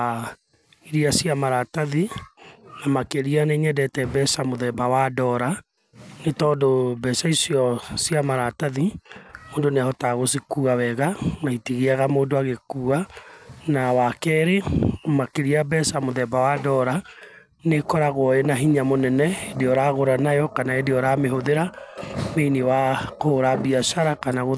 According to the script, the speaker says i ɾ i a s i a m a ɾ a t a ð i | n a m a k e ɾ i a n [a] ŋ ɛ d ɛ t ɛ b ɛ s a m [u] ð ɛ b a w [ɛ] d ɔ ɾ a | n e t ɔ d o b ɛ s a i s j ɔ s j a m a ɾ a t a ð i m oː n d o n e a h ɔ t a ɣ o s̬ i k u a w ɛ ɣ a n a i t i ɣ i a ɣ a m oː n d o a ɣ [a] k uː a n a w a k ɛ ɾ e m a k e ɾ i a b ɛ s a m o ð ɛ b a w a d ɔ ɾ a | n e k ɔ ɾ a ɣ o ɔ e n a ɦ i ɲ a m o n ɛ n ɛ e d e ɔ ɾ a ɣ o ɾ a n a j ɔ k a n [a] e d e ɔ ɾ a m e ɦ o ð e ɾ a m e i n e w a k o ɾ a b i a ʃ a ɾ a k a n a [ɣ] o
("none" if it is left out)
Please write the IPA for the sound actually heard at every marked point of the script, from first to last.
e, o, a, e, a, ɣ

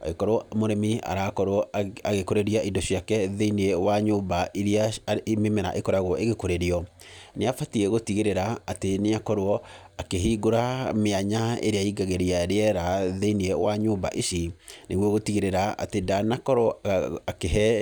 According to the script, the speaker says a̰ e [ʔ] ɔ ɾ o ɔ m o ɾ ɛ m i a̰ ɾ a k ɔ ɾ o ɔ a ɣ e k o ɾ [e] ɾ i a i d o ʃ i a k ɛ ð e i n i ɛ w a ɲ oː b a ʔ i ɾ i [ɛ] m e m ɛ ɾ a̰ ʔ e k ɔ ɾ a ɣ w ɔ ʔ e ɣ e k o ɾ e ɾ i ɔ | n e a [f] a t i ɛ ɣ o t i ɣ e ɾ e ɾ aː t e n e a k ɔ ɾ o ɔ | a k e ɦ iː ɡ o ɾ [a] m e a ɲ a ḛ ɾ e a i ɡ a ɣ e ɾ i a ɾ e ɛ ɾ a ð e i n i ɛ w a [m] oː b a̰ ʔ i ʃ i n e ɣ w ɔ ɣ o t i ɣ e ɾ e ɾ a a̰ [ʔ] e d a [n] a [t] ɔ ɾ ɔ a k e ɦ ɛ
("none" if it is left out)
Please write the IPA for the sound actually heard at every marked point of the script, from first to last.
k, e, a, f, a, ɲ, t, n, k

